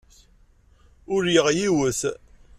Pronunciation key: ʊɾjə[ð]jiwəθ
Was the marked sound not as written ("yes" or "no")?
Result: yes